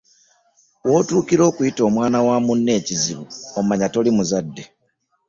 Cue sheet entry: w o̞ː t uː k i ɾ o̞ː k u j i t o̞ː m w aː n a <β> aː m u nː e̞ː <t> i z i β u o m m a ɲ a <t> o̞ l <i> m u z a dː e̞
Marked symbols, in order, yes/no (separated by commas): no, no, yes, yes